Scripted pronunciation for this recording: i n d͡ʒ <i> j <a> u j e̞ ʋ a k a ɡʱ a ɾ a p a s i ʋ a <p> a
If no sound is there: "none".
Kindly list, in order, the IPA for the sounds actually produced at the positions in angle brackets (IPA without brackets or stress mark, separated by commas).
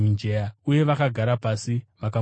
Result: e, a, k